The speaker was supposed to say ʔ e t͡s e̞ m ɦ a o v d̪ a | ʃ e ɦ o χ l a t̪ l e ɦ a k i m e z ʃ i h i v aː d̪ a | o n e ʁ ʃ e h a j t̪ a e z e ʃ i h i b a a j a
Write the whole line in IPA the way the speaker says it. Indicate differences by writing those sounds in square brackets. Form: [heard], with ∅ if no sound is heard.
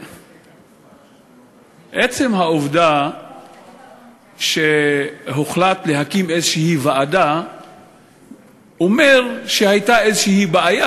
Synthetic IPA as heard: ʔ e t͡s e̞ m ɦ a o v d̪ a | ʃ e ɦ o χ l a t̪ l e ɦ a k i m e z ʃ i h i v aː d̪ a | o [m] e ʁ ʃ e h a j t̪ a e z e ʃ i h i b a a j a